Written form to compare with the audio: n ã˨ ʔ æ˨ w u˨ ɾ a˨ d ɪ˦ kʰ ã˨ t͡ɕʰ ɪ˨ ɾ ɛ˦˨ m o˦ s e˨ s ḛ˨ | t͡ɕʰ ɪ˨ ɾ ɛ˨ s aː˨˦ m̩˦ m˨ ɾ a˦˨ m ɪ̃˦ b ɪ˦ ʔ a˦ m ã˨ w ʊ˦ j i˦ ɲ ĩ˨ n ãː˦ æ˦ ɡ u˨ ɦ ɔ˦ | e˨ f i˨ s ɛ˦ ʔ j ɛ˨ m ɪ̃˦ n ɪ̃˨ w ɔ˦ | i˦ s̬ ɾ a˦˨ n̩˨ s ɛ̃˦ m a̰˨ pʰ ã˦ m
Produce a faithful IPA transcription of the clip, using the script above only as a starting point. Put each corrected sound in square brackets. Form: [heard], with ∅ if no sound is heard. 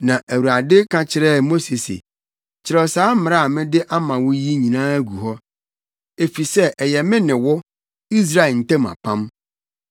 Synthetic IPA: n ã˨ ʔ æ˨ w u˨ ɾ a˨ d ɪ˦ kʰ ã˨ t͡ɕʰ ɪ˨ ɾ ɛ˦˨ m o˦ s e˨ s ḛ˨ | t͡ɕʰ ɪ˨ ɾ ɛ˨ s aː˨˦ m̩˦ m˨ ɾ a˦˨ m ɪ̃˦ [d] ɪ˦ ʔ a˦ m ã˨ w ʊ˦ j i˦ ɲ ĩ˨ n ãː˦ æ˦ ɡ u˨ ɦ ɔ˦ | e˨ f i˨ s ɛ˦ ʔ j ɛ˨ m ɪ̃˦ n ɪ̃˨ w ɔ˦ | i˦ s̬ ɾ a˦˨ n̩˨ [t] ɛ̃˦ m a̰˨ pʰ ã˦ m